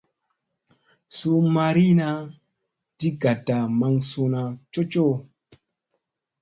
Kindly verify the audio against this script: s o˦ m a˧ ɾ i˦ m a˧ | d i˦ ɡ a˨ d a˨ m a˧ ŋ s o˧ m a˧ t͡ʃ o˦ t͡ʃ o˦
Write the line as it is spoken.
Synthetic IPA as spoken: s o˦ m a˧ ɾ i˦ n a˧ | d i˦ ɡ a˨ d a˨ m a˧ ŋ s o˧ n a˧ t͡ʃ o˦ t͡ʃ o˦